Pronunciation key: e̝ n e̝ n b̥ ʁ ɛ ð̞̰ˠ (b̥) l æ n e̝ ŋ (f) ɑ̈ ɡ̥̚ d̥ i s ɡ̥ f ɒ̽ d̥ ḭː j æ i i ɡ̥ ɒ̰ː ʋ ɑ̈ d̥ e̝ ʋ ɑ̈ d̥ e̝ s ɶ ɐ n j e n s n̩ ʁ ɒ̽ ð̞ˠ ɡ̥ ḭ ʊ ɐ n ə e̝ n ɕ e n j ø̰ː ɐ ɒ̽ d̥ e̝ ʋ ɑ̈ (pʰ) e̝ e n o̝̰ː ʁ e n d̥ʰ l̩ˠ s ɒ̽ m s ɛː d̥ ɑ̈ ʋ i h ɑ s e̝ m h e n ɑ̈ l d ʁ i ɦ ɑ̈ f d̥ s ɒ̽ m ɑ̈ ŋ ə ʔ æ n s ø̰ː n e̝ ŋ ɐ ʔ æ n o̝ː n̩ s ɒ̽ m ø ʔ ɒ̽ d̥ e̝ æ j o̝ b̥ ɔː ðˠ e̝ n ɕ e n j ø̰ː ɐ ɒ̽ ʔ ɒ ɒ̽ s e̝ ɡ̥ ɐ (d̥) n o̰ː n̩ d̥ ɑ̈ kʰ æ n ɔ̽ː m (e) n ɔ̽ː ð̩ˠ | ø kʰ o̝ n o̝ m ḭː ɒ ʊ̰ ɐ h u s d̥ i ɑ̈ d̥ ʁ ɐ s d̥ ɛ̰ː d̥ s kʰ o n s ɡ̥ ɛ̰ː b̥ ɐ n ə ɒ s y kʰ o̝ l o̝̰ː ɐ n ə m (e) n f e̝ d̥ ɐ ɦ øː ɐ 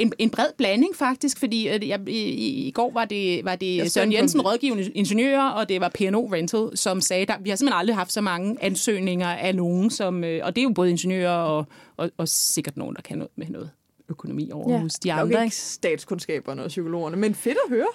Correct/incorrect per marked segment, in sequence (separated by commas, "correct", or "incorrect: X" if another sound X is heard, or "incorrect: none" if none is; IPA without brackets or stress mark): correct, correct, correct, correct, correct, correct